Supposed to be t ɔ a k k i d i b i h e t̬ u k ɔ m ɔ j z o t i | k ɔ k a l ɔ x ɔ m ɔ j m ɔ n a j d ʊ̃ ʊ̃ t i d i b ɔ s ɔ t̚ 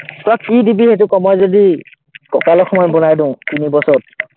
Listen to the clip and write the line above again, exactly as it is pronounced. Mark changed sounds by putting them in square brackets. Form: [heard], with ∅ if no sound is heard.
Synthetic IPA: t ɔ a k k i d i b i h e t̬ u k ɔ m ɔ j z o [d] i | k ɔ k a l ɔ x ɔ m ɔ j [b] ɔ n a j d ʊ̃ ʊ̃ t i [n] i b ɔ s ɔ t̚